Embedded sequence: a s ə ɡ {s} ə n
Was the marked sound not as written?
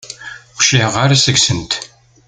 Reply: no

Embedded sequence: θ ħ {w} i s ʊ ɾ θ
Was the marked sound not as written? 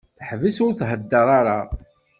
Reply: yes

